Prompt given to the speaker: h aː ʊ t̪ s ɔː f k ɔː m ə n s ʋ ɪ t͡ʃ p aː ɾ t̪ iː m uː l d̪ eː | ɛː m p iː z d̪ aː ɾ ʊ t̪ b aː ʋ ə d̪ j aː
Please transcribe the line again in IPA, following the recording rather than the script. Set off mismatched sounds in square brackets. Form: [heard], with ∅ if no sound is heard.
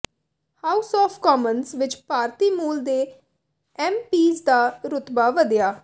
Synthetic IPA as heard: h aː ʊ [∅] s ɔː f k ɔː m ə n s ʋ ɪ t͡ʃ p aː ɾ t̪ iː m uː l d̪ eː | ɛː m p iː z d̪ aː ɾ ʊ t̪ b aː ʋ ə d̪ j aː